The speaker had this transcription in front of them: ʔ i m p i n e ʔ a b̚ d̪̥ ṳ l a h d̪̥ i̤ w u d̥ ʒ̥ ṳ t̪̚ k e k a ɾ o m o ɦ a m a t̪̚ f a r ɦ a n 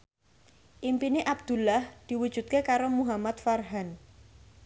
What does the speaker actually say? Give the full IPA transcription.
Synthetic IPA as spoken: ʔ i m p i n e ʔ a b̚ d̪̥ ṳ l a h d̪̥ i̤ w u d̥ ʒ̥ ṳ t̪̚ k e k a ɾ o m u ɦ a m a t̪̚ f a r ɦ a n